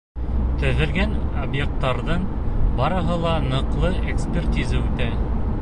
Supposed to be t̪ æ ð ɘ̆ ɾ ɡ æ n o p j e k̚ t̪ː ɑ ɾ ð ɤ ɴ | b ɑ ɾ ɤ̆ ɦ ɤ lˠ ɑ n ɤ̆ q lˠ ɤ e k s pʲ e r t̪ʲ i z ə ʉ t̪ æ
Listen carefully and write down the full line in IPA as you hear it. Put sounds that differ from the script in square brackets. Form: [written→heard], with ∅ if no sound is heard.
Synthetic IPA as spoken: t̪ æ ð ɘ̆ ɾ ɡ æ n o [p→b] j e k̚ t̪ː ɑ ɾ ð ɤ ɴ | b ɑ ɾ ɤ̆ ɦ ɤ lˠ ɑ n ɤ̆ q lˠ ɤ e k s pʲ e r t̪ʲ i z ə ʉ t̪ æ